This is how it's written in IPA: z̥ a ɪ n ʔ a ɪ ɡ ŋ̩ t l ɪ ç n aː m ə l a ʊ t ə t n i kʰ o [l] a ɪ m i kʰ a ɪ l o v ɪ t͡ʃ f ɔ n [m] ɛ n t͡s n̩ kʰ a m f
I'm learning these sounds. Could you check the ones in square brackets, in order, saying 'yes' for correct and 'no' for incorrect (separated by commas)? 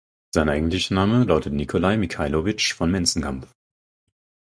yes, yes